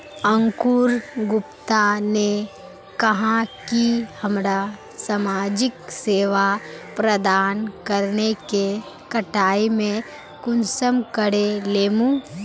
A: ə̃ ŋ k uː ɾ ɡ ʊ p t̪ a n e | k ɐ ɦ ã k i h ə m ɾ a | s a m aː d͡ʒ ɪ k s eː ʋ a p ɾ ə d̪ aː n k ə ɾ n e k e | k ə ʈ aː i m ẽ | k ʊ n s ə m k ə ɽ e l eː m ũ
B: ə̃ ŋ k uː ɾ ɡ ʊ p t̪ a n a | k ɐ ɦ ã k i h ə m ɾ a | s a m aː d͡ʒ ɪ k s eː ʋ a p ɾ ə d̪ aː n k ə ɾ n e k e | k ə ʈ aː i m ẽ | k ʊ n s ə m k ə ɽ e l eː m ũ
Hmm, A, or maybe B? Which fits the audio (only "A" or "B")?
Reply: A